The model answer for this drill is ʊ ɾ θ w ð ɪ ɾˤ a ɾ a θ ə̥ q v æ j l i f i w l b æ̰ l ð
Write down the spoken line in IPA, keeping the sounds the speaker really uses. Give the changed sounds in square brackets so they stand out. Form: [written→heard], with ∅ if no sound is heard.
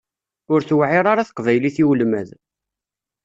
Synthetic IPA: ʊ ɾ θ w [ð→ʕ] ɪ ɾˤ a ɾ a θ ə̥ q v æ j l i [f→θ] i w l [b→m] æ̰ [l→∅] ð